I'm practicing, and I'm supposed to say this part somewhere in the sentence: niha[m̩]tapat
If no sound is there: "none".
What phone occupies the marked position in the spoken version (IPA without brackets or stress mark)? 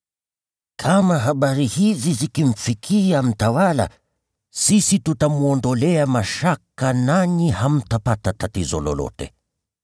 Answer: m̩